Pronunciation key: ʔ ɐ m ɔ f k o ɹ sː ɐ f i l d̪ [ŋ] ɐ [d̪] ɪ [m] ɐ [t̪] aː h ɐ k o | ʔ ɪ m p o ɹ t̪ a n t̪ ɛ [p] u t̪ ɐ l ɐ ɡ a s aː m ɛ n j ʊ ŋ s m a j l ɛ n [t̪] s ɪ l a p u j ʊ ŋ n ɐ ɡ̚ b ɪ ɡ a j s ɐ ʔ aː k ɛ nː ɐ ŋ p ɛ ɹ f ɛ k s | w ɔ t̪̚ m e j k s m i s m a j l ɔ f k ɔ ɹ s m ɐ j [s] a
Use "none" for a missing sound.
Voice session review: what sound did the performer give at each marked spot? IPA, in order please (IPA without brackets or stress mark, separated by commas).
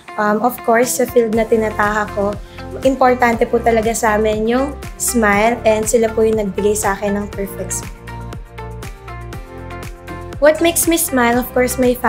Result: n, t̪, n, t̪, p, d̪, f